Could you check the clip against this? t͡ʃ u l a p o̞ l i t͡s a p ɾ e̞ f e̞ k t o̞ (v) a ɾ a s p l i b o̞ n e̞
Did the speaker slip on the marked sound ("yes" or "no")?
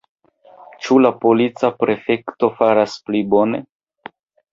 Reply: yes